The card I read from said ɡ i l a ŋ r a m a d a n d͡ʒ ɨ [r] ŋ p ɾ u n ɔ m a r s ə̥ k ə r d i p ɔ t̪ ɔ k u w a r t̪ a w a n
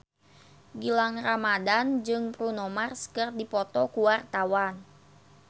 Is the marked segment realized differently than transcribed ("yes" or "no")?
yes